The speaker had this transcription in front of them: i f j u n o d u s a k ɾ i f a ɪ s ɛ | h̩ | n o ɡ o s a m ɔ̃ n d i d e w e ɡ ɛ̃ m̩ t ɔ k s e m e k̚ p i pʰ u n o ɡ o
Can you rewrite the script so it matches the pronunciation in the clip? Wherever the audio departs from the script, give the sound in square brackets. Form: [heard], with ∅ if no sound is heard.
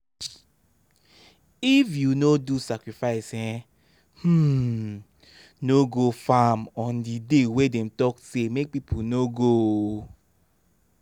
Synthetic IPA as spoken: i f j u n o d u s a k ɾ i f a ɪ s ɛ | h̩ | n o ɡ o [f] a m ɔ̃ n d i d e w e [d] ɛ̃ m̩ t ɔ k s e m e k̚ p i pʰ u n o ɡ o

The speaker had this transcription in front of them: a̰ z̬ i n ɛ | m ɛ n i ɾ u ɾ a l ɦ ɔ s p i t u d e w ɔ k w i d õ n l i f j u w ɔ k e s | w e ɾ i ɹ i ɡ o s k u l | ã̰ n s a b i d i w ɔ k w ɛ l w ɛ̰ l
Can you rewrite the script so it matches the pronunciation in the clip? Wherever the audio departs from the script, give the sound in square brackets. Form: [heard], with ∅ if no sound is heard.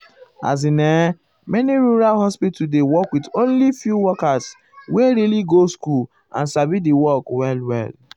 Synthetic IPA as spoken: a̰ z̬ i n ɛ | m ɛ n i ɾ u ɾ a l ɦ ɔ s p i t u d e w ɔ k w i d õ n l i f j u w ɔ k [a] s | w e ɾ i [l] i ɡ o s k u l | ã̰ n s a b i d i w ɔ k w ɛ l w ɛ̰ l

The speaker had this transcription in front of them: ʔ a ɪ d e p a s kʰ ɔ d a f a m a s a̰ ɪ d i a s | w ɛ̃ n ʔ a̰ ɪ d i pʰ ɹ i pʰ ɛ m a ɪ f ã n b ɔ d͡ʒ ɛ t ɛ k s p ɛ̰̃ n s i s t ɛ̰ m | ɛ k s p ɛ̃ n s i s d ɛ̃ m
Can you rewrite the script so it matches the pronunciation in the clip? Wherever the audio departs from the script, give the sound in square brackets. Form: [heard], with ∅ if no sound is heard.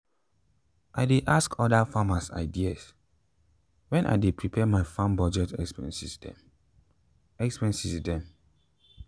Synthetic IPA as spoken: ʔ a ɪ d e [ʔ] a s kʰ ɔ d a f a m a s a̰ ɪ d i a s | w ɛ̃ n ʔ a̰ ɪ d [e] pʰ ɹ i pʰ ɛ m a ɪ f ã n b ɔ d͡ʒ ɛ t ɛ k s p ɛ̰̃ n s i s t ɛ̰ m | ɛ k s p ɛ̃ n s i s d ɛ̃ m

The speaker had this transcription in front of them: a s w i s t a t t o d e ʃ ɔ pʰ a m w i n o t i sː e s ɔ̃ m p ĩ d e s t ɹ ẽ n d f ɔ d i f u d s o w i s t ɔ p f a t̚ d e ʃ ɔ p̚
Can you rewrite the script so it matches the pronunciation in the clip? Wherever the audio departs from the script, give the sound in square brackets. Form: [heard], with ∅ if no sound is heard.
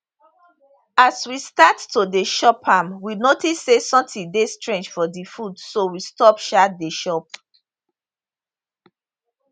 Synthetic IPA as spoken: a s w i s t a t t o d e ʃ ɔ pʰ a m w i n o t i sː e s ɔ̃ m [t] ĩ d e s t ɹ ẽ n [d͡ʒ] f ɔ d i f u d s o w i s t ɔ p [ʃ] a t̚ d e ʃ ɔ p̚

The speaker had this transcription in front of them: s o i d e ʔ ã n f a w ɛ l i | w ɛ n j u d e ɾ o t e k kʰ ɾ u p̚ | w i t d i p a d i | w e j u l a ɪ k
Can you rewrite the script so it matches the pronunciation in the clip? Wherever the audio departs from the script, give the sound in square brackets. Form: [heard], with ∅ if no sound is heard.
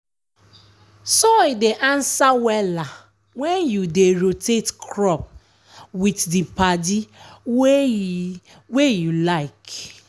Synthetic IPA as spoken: s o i d e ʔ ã n [s] a w ɛ l [a] | w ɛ n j u d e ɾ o t e [t] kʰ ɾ [ɔ] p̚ | w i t d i p a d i | w e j u l a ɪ k

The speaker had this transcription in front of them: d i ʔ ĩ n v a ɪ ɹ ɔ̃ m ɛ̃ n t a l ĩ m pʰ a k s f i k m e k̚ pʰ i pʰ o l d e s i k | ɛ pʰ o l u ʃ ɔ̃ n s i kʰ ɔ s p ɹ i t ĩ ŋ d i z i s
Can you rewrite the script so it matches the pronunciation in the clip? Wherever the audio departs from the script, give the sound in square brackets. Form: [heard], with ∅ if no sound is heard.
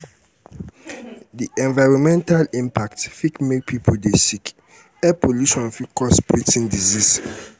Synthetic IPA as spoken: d i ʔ [ɛ̃] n v a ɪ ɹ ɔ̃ m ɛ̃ n t a l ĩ m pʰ a k [t] f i k m e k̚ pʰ i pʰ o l d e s i k | ɛ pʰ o l u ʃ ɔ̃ n [f] i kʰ ɔ s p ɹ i t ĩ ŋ d i z i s

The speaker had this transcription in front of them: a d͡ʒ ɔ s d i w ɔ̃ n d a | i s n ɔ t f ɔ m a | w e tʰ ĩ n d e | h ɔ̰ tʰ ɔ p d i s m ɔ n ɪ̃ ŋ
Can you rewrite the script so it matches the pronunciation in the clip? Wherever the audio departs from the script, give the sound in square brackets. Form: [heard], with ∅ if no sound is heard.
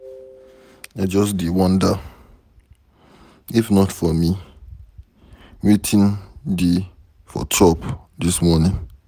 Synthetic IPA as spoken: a d͡ʒ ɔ s d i w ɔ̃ n d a | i [f] n ɔ t f ɔ m [i] | w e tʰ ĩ n d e | [f] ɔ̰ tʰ ɔ p d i s m ɔ n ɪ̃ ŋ

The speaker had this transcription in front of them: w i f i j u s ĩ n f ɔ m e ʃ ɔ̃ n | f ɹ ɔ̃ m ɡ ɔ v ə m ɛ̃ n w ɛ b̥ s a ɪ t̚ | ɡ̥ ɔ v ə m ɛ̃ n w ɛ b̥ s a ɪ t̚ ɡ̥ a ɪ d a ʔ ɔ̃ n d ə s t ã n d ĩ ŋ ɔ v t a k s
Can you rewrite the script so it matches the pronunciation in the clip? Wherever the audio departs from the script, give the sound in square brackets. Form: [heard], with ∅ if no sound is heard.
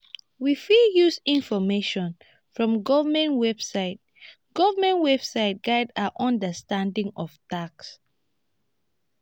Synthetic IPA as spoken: w i f i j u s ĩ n f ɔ m e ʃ ɔ̃ n | f ɹ ɔ̃ m ɡ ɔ v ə m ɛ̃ n w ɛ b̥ s a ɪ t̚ | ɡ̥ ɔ v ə m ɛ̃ n w ɛ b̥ s a ɪ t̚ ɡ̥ a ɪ d a ʔ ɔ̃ n d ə s t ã n d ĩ ŋ ɔ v t a k s

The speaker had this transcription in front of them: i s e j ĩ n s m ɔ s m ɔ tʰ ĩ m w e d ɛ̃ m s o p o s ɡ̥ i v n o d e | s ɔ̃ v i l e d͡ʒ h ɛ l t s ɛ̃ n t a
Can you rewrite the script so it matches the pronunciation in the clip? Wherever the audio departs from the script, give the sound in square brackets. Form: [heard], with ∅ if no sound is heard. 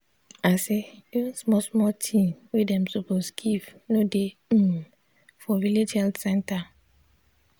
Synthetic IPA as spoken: [a] s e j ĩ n s m ɔ s m ɔ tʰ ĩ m w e d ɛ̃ m s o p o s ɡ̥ i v n o d e | [f] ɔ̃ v i l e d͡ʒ h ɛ l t s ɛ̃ n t a

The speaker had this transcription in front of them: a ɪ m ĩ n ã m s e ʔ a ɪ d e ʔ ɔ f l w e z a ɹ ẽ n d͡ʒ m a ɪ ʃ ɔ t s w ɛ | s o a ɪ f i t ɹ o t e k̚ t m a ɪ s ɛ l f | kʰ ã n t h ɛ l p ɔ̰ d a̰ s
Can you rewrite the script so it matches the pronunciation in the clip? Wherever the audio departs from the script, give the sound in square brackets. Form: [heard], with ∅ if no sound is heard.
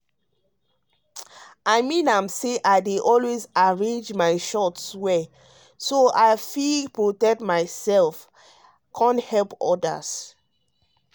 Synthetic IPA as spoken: a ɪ m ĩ n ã m s e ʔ a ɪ d e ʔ ɔ [∅] l w e z a ɹ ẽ n d͡ʒ m a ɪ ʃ ɔ t s w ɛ | s o a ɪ f i [p] ɹ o t [ɛ] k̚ t m a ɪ s ɛ l f | kʰ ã n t h ɛ l p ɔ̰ d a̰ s

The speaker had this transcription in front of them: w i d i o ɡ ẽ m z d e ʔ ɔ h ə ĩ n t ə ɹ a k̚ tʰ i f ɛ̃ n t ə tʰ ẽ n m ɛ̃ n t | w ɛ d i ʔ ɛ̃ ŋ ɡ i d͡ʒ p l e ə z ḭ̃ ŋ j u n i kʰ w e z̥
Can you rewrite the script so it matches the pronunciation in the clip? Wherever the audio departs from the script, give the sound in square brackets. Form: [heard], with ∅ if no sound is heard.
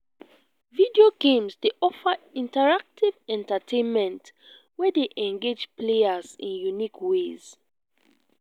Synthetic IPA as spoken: [v] i d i o ɡ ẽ m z d e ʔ ɔ [f] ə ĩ n t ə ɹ a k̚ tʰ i [v] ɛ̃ n t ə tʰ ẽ n m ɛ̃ n t | w ɛ d [e] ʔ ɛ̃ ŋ ɡ [e] d͡ʒ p l e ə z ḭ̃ [n] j u n i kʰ w e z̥

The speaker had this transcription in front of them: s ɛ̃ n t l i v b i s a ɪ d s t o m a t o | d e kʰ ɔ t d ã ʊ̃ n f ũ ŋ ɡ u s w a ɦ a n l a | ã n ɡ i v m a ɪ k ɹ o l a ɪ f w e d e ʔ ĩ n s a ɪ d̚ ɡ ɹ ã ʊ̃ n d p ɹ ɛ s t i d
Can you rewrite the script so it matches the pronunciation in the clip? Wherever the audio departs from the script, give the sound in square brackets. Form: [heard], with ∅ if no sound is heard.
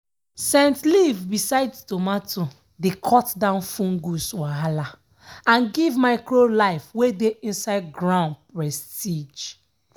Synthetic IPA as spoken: s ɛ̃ n t l i v b i s a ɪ d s t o m a t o | d e kʰ ɔ t d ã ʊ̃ n f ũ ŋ ɡ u s w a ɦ a [∅] l a | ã n ɡ i v m a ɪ k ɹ o l a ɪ f w e d e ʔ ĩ n s a ɪ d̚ ɡ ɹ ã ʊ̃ n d p ɹ ɛ s t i [d͡ʒ]

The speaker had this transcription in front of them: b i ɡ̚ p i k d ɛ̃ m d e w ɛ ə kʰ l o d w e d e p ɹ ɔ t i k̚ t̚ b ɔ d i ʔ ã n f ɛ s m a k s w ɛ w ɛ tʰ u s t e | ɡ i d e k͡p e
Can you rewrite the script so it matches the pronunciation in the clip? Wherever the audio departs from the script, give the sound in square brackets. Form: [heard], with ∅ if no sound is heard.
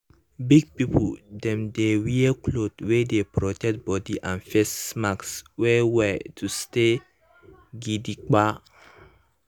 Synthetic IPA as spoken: b i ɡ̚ p i [p] d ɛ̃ m d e w [i] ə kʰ l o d w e d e p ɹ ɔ t [ɛ] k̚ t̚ b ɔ d i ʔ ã n f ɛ s m a k s w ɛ w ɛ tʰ u s t e | ɡ i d [i] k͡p [a]

